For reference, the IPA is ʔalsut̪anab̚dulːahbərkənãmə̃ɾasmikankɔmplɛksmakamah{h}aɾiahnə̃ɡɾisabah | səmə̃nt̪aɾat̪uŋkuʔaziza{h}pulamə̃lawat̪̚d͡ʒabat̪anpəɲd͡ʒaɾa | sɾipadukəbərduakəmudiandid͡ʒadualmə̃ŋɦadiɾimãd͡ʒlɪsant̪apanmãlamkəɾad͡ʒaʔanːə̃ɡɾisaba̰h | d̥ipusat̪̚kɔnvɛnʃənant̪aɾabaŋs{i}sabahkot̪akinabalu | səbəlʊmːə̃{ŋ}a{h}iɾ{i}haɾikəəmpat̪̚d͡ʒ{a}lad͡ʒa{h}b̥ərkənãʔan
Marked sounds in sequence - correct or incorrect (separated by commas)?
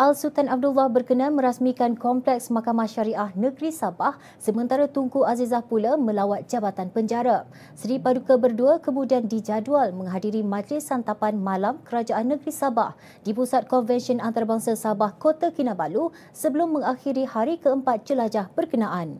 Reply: incorrect, correct, incorrect, correct, incorrect, correct, incorrect, correct